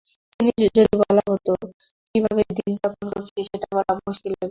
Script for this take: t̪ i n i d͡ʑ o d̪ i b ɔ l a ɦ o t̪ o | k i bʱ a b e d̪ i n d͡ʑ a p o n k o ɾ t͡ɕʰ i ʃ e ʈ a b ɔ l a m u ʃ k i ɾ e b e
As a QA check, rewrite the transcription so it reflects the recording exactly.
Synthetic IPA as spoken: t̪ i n i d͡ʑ o d̪ i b ɔ l a ɦ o t̪ o | k i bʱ a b e d̪ i n d͡ʑ a p o n k o ɾ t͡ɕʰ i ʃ e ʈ a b ɔ l a m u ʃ k i l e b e

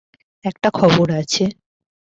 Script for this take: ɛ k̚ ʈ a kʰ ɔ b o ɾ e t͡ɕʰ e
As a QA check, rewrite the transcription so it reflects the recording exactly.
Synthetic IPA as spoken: ɛ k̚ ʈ a kʰ ɔ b o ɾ a t͡ɕʰ e

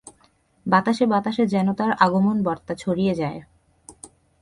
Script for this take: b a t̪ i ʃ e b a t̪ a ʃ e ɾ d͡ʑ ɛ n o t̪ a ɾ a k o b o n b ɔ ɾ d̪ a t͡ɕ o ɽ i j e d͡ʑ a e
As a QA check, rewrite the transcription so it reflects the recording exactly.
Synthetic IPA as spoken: b a t̪ a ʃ e b a t̪ a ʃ e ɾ d͡ʑ ɛ n o t̪ a ɾ a ɡ o m o n b ɔ ɾ t̪ a t͡ɕʰ o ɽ i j e d͡ʑ a e

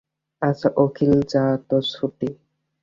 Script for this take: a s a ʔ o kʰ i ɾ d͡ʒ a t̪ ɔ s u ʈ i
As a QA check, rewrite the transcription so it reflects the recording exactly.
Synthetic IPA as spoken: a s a ʔ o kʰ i l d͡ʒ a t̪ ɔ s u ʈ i

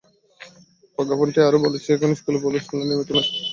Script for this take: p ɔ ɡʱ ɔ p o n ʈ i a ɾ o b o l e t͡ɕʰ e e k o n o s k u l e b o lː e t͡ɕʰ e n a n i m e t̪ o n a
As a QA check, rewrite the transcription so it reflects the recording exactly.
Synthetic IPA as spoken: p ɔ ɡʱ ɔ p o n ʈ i a ɾ o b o l e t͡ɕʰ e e k o n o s k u l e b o l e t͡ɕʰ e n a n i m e t̪ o n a

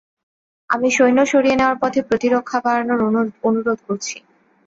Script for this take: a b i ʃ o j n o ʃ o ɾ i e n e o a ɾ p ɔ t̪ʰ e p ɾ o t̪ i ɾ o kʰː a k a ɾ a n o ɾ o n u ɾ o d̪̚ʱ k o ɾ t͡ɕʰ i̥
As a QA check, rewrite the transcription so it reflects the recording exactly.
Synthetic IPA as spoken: a m i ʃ o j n o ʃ o ɾ i e n e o a ɾ p ɔ t̪ʰ e p ɾ o t̪ i ɾ o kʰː a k a ɾ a n o ɾ o n u ɾ o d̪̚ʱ k o ɾ t͡ɕʰ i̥

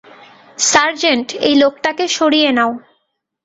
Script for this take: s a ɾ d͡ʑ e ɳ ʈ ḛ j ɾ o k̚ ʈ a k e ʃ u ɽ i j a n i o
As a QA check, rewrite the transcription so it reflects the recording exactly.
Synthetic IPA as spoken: s a ɾ d͡ʑ e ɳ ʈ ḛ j l o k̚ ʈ a k e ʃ o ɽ i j e n a o

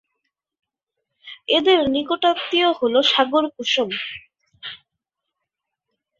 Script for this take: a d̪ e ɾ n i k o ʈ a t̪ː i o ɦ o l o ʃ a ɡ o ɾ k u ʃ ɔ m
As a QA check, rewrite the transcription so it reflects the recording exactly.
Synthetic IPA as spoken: e d̪ e ɾ n i k o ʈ a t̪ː i o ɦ o l o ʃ a ɡ o ɾ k u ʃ o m

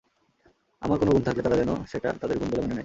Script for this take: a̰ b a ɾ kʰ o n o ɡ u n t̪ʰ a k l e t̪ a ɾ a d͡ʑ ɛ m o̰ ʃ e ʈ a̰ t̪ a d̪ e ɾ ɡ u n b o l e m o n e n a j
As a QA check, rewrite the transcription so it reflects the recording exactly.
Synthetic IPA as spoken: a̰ m a ɾ k o n o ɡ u n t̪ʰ a k l e t̪ a ɾ a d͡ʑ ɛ n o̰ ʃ e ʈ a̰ t̪ a d̪ e ɾ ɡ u n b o l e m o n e n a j

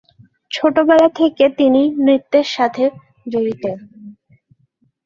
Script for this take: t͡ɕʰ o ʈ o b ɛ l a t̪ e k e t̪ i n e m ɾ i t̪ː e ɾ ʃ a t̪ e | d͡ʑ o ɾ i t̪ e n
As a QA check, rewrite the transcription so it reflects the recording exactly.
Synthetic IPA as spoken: t͡ɕʰ o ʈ o b ɛ l a t̪ʰ e k e t̪ i n i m ɾ i t̪ː e ɾ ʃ a t̪ʰ e | d͡ʑ o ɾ i t̪ e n

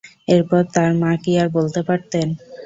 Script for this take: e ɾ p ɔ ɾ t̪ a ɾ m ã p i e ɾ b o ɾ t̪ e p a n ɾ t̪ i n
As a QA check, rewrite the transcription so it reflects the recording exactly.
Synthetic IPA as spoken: e ɾ p ɔ ɾ t̪ a ɾ m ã k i a ɾ b o l t̪ e p a ɾ t̪ e n

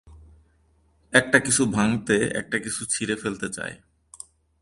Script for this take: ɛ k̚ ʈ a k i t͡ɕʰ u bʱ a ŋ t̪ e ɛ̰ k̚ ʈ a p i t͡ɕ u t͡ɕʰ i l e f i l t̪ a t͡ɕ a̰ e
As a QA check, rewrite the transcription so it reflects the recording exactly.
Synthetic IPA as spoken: ɛ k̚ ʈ a k i t͡ɕʰ u bʱ a ŋ t̪ e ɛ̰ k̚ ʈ a k i t͡ɕʰ u t͡ɕʰ i ɾ e f e l t̪ e t͡ɕ a̰ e

